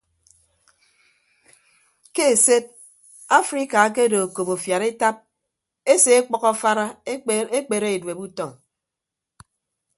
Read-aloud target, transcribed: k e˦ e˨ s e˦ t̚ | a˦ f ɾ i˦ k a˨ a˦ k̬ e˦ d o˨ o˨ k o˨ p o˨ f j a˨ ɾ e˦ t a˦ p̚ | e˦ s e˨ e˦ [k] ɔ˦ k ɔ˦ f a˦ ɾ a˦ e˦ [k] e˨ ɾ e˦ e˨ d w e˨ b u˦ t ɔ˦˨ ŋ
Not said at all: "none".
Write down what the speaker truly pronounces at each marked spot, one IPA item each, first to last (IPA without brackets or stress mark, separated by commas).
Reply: k͡p, k͡p